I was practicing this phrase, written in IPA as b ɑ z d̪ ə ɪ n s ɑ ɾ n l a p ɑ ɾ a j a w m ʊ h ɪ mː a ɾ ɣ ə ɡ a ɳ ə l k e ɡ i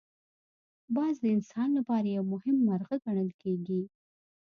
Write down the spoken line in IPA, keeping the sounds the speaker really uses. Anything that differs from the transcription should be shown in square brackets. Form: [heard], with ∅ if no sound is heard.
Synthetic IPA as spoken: b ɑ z d̪ ə ɪ n s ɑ [∅] n l a p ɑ ɾ a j a w m ʊ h ɪ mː a ɾ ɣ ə ɡ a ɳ ə l k e ɡ i

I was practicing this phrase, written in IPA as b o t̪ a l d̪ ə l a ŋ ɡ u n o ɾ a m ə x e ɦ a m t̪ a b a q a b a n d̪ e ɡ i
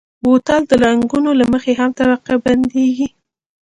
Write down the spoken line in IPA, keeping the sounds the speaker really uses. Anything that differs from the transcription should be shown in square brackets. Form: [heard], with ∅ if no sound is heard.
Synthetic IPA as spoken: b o t̪ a l d̪ ə l a ŋ ɡ u n o [l] a m ə x e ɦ a m t̪ a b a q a b a n d̪ e ɡ i

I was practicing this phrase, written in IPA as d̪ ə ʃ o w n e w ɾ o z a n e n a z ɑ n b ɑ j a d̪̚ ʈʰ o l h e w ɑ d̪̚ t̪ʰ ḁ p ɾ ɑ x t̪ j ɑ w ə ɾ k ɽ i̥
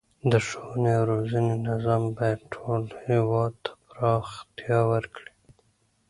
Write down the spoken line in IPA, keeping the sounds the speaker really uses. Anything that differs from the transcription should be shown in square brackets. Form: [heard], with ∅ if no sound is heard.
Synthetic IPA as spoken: d̪ ə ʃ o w n e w ɾ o z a n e n a z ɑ [m] b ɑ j a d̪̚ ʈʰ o l h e w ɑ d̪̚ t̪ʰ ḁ p ɾ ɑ x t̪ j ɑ w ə ɾ k ɽ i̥

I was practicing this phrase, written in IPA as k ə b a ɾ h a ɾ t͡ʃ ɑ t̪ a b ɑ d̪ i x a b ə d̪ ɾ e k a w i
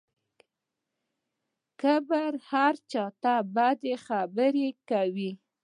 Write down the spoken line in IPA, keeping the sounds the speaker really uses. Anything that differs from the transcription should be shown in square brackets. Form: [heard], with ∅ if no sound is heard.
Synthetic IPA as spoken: k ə b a ɾ h a ɾ t͡ʃ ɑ t̪ a b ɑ d̪ [e] x a b ə [∅] ɾ e k a w i

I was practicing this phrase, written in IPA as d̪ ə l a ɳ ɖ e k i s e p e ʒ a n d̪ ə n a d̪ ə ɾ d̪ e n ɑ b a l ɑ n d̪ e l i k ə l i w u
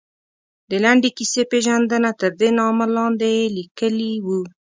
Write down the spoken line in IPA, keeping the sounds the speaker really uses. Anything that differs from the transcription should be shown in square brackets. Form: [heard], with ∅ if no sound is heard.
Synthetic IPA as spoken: d̪ ə l a ɳ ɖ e k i s e p e ʒ a n d̪ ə n a [t̪] ə ɾ d̪ e n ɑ [m] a l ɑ n d̪ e l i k ə l i w u

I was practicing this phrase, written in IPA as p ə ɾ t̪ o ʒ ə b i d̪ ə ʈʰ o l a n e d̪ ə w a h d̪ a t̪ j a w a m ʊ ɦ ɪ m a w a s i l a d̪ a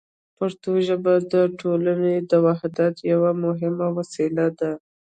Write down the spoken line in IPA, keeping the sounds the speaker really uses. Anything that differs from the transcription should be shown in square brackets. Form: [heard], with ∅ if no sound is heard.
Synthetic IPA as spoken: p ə ɾ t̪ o ʒ ə b [a] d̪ ə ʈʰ o l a n e d̪ ə w a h d̪ a t̪ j a w a m ʊ ɦ ɪ m a w a s i l a d̪ a

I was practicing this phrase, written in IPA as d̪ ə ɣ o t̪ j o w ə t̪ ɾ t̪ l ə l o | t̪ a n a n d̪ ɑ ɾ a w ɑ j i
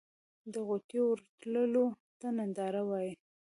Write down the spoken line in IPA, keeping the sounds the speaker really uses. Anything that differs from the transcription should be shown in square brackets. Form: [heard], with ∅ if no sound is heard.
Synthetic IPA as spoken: d̪ ə ɣ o t̪ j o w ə [∅] ɾ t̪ l ə l o | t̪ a n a n d̪ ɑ ɾ a w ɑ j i

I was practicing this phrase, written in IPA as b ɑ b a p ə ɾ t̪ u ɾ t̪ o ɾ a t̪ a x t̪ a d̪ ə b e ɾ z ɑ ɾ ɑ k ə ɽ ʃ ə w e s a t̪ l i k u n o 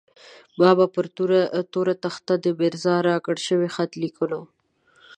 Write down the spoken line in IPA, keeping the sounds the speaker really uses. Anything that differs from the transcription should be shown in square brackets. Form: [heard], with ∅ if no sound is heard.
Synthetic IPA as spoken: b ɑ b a p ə ɾ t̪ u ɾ t̪ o ɾ a t̪ a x t̪ a d̪ ə b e ɾ z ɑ ɾ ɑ k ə ɽ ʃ ə w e [x] a t̪ l i k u n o

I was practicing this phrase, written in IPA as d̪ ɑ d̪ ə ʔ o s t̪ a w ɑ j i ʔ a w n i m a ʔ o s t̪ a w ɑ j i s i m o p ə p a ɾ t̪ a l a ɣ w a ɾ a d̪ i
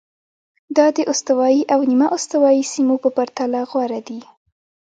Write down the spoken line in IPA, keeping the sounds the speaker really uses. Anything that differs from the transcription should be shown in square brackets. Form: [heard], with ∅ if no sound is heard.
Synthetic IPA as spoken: d̪ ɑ d̪ ə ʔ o s t̪ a w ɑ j i ʔ a w n i m a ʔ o s t̪ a w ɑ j i s i m o p ə p a ɾ t̪ a l a ɣ w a ɾ a d̪ i

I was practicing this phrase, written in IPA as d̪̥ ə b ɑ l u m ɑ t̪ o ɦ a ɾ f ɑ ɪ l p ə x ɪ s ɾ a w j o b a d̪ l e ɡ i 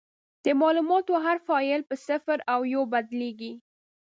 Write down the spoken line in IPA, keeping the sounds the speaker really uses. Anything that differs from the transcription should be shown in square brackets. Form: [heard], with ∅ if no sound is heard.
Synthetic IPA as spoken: d̪̥ ə [m] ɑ l u m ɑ t̪ o ɦ a ɾ f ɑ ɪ l p ə [s] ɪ [f] ɾ a w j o b a d̪ l e ɡ i

